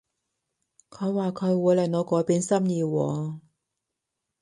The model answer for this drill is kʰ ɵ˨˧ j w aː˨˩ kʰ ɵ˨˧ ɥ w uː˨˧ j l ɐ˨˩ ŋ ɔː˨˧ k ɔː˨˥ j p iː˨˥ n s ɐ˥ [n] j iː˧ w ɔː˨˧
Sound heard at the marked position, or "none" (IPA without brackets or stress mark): m